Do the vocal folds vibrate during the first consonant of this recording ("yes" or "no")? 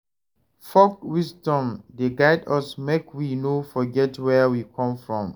no